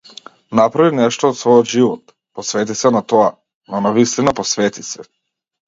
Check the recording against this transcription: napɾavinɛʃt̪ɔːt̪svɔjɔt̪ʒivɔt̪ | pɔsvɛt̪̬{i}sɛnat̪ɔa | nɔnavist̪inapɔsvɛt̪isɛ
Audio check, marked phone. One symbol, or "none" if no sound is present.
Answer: i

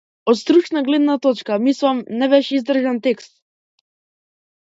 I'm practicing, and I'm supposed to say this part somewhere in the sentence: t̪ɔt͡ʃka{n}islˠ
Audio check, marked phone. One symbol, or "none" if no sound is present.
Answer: m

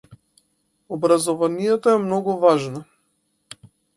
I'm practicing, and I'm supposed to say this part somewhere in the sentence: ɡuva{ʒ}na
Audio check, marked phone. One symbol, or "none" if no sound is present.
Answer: ʒ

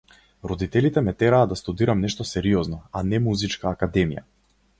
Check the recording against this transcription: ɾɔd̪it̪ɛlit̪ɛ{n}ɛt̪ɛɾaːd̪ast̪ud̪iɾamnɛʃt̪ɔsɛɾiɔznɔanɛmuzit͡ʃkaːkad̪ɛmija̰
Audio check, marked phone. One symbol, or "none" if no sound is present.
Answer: m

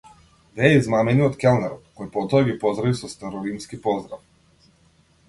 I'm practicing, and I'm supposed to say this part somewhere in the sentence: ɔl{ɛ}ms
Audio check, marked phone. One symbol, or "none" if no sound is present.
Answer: i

